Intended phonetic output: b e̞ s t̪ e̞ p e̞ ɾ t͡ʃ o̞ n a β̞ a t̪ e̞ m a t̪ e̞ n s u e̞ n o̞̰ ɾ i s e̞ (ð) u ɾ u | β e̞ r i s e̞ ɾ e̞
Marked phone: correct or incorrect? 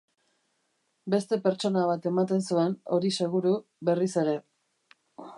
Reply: incorrect: ɣ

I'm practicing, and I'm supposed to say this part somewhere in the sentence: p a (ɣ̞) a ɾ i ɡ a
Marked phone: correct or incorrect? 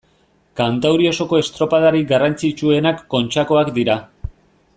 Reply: incorrect: ð̞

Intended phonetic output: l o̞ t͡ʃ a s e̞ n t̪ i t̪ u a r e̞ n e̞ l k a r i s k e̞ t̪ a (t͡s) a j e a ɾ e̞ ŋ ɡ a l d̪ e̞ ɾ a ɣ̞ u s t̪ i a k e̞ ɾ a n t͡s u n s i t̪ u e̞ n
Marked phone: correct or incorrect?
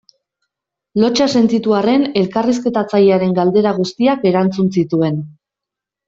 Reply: correct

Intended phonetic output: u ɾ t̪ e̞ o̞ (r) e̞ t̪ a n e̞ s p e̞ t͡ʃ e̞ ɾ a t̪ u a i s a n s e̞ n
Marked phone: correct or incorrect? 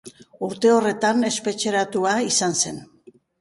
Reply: correct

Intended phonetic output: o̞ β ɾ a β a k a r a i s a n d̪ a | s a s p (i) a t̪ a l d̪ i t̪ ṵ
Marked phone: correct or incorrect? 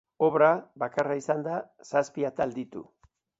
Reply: correct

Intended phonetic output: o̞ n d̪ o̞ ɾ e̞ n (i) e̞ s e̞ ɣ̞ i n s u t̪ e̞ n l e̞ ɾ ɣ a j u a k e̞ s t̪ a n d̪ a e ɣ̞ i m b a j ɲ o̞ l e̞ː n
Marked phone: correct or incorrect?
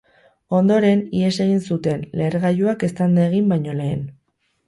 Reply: correct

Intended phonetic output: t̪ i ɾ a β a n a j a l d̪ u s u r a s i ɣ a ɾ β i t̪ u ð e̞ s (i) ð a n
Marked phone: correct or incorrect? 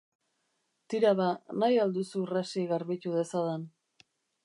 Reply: incorrect: a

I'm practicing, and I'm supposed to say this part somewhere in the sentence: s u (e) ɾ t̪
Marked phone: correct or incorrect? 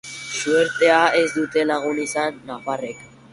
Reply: correct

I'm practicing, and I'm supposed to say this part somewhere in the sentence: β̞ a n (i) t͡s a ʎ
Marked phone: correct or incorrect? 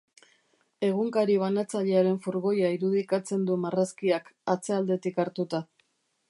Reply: incorrect: a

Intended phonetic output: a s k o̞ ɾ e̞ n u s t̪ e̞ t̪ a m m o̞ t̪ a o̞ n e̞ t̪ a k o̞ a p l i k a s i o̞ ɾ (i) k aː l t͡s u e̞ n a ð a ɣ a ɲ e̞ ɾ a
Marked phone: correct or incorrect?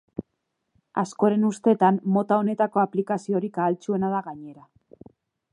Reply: correct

